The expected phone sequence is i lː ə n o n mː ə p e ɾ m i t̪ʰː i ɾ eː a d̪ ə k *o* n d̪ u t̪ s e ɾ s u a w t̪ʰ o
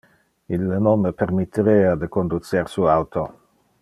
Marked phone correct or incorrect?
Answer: correct